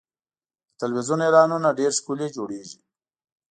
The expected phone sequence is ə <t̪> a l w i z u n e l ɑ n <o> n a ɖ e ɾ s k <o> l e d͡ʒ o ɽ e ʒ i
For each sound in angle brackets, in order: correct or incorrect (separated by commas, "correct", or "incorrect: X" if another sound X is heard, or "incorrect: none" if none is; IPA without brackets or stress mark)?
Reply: correct, incorrect: u, incorrect: u